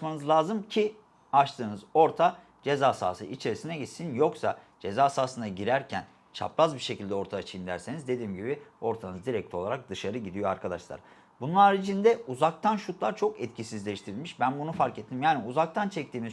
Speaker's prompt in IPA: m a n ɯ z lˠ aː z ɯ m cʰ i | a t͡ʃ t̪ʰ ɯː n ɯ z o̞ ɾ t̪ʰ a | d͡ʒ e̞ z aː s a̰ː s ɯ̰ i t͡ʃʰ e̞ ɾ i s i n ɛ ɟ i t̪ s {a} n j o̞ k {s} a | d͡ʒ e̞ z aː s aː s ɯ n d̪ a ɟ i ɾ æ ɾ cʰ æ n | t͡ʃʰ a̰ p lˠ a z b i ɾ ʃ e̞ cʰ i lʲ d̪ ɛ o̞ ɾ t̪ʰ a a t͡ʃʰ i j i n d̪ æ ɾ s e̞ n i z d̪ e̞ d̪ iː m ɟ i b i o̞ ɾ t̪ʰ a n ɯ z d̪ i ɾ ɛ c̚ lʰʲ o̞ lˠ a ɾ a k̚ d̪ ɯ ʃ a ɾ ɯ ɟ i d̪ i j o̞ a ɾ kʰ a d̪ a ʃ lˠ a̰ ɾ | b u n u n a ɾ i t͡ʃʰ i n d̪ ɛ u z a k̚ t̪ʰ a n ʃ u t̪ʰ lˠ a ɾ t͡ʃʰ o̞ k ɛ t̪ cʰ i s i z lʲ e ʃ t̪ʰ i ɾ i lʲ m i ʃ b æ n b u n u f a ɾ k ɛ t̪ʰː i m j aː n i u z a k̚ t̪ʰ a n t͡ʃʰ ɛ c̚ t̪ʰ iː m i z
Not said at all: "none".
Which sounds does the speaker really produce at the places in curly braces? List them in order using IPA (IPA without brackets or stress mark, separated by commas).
i, s